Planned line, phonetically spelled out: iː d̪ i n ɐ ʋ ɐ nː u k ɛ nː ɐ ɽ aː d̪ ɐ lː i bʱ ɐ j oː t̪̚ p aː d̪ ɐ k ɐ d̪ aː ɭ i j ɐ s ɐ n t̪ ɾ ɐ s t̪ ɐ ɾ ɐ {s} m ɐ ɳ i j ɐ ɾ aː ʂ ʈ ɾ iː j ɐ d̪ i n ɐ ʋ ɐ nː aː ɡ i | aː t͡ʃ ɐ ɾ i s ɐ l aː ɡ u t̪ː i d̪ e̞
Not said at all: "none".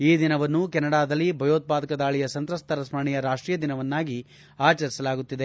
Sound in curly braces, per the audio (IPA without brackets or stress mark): s